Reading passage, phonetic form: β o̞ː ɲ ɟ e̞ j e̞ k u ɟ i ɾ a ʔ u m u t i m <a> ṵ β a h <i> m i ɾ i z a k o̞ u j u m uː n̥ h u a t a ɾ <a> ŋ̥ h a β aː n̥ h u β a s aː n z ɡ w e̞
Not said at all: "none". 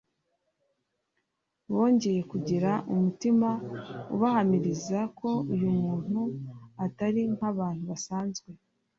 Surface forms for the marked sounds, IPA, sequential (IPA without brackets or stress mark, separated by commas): a, a, i